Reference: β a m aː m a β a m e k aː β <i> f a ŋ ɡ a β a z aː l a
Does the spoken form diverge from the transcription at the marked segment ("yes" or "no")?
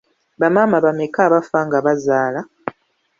yes